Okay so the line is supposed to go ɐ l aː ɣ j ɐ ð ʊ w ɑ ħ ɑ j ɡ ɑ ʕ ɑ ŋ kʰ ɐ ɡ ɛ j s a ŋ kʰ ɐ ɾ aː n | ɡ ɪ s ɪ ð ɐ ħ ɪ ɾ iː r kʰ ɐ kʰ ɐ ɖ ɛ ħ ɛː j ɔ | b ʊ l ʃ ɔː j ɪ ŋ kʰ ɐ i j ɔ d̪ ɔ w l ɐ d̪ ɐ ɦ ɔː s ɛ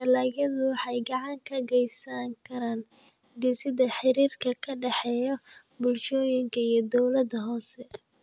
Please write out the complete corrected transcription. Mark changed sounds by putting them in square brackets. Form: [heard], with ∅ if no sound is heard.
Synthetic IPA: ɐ l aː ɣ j ɐ ð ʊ w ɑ ħ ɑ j ɡ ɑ ʕ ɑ ŋ kʰ ɐ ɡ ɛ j s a ŋ kʰ ɐ ɾ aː n | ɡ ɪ s ɪ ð ɐ ħ ɪ ɾ iː r kʰ ɐ kʰ ɐ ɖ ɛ ħ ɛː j ɔ | b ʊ l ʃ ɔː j ɪ ŋ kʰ ɐ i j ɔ d̪ ɔ w l ɐ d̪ ɐ ɦ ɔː s ɛ